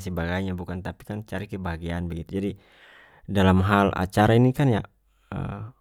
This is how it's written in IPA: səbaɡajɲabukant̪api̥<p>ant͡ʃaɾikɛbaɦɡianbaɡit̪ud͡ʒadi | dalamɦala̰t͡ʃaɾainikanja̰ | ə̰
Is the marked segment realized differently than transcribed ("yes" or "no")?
yes